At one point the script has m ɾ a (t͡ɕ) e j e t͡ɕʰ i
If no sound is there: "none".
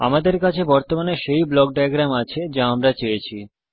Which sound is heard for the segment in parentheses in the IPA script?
t͡ɕ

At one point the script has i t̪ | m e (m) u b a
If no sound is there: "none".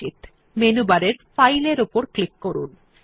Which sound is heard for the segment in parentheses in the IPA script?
n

